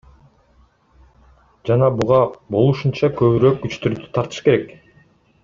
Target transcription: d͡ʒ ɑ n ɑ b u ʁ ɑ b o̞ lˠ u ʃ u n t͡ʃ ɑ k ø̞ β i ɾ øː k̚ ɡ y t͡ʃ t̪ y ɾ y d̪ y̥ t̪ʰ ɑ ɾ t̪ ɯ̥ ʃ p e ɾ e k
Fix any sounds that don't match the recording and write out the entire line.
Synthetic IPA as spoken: d͡ʒ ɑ n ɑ b u ʁ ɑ b o̞ lˠ u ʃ u n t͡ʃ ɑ k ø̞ β y ɾ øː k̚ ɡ y t͡ʃ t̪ y ɾ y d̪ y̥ t̪ʰ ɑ ɾ t̪ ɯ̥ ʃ k e ɾ e k